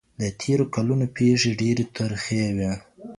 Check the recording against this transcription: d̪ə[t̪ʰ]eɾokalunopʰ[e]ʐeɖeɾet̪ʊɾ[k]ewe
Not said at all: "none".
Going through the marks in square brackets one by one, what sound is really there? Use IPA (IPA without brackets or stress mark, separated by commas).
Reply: t̪ʰ, e, x